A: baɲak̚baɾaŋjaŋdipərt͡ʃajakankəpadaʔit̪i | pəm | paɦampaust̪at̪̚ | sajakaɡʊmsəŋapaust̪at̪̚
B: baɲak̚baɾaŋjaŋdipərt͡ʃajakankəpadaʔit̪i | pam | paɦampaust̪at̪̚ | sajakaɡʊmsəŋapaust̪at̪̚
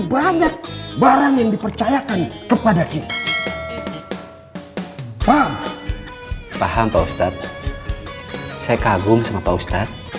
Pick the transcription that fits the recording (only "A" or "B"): B